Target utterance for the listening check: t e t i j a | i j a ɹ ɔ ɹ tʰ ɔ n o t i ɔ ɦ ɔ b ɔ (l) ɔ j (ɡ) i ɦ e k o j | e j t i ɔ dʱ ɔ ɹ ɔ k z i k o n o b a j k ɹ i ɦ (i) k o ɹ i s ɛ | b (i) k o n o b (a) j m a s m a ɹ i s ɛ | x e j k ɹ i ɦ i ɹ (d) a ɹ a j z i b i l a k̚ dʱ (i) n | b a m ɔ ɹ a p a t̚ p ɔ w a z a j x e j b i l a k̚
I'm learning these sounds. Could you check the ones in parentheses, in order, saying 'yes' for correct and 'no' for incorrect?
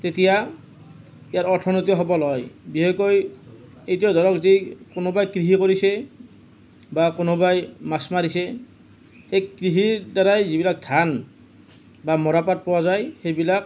yes, no, yes, no, yes, yes, no

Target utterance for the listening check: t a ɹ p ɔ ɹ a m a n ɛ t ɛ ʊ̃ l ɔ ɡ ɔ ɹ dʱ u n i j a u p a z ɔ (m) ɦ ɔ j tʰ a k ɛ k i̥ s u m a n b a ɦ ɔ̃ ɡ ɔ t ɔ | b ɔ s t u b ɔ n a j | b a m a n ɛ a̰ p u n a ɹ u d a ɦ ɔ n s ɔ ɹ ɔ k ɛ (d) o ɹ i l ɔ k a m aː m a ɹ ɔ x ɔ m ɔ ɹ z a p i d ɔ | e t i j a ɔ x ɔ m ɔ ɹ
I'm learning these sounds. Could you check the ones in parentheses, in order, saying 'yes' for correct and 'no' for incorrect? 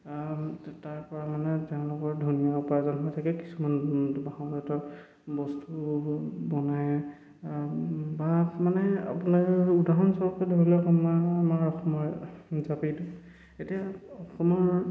no, yes

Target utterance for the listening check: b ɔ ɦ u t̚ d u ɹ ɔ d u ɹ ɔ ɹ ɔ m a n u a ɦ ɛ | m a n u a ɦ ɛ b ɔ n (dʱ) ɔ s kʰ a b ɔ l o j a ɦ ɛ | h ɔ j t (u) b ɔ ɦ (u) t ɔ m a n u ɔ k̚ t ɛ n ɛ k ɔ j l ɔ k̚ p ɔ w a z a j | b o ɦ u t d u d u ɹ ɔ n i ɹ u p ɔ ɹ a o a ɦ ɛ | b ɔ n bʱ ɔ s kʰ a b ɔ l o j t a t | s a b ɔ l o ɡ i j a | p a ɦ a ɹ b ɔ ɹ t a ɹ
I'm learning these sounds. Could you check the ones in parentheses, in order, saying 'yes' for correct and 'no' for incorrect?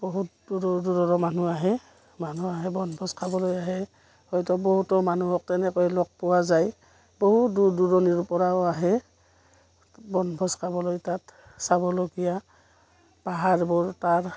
no, no, yes

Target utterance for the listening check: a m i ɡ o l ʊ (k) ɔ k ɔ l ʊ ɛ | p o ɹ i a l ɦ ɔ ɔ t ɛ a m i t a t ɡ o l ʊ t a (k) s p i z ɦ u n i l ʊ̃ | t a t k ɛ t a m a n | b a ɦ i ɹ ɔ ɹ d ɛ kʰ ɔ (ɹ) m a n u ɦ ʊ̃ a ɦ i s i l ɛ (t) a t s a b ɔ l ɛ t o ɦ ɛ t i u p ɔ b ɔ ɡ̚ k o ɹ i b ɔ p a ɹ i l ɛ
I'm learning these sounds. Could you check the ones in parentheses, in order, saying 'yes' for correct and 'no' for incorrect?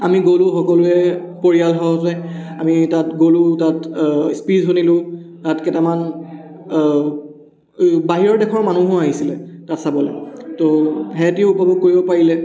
no, no, yes, yes

